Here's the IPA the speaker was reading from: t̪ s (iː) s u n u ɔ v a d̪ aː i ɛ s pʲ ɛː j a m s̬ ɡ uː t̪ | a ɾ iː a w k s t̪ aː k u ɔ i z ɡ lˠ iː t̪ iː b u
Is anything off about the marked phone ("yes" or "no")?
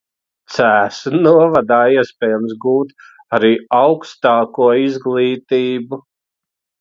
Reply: yes